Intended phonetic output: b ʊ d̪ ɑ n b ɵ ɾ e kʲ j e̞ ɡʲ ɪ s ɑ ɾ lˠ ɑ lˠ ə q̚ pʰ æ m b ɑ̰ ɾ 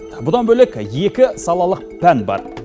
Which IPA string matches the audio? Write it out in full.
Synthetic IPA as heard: b ʊ d̪ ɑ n b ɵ l e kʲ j e̞ kʲ ɪ s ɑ lˠ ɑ lˠ ə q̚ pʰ æ n b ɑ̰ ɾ